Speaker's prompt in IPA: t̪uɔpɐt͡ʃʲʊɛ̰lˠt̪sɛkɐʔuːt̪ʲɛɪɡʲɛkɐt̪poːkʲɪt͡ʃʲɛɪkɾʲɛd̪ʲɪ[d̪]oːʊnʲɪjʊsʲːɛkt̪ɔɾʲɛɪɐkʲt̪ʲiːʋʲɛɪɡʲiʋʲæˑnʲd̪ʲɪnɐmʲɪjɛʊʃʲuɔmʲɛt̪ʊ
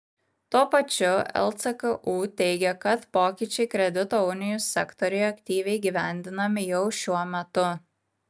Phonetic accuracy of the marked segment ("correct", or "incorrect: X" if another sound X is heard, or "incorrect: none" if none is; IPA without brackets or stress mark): incorrect: t̪